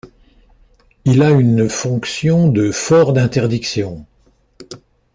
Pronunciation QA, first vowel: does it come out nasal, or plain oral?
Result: oral